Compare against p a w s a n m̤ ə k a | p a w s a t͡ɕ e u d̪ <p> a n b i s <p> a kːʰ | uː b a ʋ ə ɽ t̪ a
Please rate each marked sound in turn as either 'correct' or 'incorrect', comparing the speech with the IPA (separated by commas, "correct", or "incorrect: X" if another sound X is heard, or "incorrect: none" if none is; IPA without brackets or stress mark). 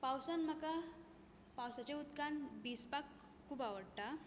incorrect: k, correct